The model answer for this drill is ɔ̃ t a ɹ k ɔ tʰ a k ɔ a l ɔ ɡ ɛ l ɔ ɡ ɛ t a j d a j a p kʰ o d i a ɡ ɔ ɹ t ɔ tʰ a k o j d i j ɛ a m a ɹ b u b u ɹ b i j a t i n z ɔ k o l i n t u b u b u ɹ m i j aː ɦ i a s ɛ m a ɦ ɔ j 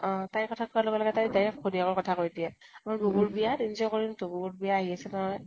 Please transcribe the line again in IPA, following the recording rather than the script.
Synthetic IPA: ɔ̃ t a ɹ k ɔ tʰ a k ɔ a l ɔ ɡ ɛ l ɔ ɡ ɛ t a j d a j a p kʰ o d i a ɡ ɔ ɹ k ɔ tʰ a k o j d i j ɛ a m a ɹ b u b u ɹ b i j a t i n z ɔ k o ɹ i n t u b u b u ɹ b i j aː ɦ i a s ɛ n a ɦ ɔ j